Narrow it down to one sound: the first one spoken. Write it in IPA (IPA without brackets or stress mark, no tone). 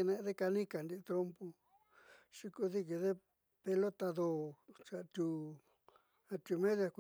n